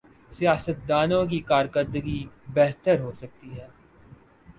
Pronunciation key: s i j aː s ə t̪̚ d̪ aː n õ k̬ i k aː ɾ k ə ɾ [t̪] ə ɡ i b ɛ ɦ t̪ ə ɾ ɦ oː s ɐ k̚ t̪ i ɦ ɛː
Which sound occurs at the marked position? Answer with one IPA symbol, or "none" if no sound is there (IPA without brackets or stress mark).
d̪